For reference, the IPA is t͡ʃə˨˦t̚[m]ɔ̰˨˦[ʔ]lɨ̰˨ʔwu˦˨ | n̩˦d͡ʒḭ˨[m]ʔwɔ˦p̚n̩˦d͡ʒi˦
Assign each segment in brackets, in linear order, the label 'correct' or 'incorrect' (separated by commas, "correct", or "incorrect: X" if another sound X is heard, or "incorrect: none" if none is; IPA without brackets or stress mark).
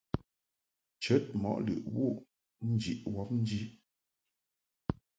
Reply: correct, correct, incorrect: none